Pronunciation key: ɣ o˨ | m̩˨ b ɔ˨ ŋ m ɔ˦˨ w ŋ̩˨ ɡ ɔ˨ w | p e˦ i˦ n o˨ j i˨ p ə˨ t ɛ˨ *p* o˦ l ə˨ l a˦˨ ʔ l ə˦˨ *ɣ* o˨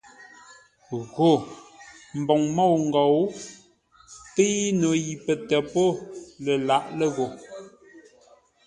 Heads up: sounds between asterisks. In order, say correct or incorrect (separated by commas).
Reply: correct, correct